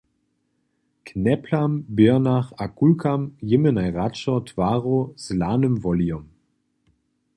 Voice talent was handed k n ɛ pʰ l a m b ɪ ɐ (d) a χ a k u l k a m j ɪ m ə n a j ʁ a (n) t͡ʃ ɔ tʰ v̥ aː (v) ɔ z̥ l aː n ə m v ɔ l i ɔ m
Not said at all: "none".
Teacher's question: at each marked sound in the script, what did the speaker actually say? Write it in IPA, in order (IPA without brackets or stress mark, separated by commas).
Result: n, none, ʁ